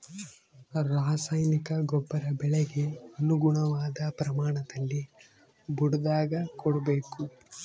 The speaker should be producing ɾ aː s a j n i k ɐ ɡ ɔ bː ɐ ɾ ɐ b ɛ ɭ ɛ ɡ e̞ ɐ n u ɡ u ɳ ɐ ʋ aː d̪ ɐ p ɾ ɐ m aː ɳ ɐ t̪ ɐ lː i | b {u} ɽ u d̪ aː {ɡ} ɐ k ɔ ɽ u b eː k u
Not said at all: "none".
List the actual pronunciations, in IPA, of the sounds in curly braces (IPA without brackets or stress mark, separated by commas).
u, ɡ